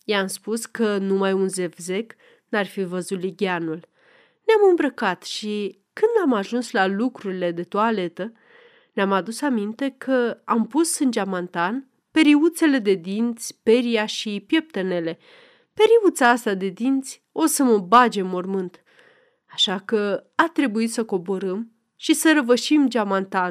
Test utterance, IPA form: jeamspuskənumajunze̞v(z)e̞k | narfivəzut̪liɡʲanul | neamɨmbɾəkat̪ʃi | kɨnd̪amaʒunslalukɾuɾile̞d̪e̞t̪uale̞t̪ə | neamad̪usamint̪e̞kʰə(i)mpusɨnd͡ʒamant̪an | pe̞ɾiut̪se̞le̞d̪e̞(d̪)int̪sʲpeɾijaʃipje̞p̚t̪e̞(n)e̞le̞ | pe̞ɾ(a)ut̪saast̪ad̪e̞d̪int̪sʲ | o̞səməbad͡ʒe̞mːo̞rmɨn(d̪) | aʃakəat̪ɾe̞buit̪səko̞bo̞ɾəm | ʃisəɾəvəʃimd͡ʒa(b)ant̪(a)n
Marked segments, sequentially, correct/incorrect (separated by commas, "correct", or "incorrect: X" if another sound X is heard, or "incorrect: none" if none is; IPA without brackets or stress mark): correct, incorrect: a, correct, correct, incorrect: i, incorrect: t̪, incorrect: m, correct